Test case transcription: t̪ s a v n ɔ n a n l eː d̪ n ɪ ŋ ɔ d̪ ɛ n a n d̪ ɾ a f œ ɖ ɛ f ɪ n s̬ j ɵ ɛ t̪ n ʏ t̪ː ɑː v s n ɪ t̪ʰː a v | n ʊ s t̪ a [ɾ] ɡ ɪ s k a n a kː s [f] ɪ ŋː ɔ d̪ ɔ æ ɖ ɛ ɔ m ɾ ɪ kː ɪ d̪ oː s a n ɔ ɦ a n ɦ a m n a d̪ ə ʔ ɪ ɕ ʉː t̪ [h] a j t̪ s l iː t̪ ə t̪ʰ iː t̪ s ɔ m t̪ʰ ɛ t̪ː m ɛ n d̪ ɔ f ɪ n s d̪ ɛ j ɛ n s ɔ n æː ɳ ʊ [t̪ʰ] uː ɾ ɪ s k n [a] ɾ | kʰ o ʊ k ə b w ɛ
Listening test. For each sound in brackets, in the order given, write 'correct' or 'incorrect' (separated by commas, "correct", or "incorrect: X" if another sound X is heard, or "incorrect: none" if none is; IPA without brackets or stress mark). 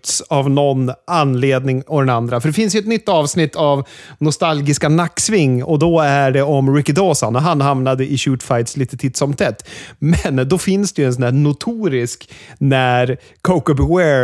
incorrect: l, incorrect: v, incorrect: f, correct, incorrect: æ